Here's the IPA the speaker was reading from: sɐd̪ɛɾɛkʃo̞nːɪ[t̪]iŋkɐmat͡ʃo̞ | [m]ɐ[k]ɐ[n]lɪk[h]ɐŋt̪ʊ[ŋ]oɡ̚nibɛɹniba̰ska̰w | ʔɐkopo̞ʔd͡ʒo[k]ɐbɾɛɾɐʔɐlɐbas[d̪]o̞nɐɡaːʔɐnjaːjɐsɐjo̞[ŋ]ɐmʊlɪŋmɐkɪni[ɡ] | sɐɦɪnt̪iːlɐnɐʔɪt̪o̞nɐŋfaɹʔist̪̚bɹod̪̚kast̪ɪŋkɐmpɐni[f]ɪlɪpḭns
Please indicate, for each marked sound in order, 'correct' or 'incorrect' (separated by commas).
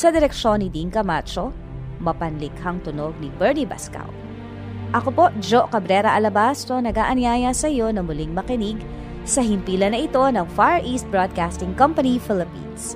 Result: incorrect, correct, incorrect, correct, correct, incorrect, correct, incorrect, incorrect, correct, correct